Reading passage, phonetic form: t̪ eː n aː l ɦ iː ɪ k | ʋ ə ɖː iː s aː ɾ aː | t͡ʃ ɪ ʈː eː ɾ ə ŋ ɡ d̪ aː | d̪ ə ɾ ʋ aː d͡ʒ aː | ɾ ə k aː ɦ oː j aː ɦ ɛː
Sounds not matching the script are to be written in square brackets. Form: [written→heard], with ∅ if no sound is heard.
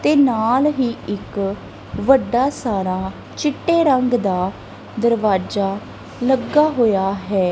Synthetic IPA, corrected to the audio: t̪ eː n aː l ɦ iː ɪ k | ʋ ə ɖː [iː→aː] s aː ɾ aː | t͡ʃ ɪ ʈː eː ɾ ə ŋ ɡ d̪ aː | d̪ ə ɾ ʋ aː d͡ʒ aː | [ɾ→l] ə [k→ɡ] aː ɦ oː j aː ɦ ɛː